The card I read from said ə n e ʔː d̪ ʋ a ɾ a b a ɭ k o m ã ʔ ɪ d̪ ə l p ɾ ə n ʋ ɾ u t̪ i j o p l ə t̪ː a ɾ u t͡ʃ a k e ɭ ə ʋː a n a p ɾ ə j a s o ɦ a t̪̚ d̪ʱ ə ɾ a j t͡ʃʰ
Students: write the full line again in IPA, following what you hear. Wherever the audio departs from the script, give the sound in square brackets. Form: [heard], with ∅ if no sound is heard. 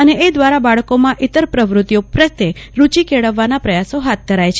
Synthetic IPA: ə n e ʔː d̪ ʋ a ɾ a b a ɭ k o m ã ʔ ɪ [t̪] ə [ɾ] p ɾ ə [∅] ʋ ɾ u t̪ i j o p [ɾ] ə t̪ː [e] ɾ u t͡ʃ [i] k e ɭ ə ʋː a n a p ɾ ə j a s o ɦ a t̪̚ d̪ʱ ə ɾ a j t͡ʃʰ